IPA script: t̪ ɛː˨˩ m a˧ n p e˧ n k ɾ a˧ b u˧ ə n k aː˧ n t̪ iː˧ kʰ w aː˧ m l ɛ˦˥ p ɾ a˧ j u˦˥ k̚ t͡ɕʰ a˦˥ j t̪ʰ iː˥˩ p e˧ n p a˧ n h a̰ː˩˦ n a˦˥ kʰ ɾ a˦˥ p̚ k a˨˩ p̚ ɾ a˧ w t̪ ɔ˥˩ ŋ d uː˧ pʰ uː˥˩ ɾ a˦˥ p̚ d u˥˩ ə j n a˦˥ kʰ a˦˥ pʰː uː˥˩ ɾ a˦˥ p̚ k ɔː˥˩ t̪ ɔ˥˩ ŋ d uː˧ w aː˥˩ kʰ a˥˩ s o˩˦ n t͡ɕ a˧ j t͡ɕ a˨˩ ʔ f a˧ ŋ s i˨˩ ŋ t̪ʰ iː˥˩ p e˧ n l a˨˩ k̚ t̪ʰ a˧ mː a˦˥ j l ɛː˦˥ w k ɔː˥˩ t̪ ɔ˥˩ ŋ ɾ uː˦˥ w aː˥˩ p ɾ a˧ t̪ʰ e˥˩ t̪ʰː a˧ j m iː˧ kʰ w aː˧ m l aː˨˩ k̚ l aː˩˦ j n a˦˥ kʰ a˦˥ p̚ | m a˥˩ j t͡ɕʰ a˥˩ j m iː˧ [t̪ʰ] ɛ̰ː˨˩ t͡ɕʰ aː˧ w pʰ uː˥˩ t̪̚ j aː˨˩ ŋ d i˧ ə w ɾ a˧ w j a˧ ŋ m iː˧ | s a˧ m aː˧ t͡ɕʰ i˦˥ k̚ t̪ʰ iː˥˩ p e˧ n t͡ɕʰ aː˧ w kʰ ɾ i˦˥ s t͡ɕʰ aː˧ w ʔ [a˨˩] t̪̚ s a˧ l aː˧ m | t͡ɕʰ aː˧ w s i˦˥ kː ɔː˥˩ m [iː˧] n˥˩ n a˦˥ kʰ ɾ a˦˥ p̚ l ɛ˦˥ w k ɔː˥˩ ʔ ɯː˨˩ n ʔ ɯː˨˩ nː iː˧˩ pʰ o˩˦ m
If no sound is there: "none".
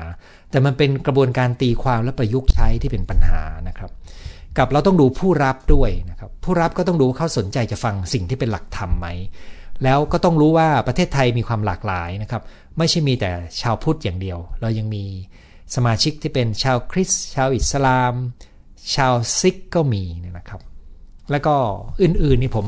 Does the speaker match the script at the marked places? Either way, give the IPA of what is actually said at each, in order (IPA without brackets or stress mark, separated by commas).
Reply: t̪, i˨˩, iː˧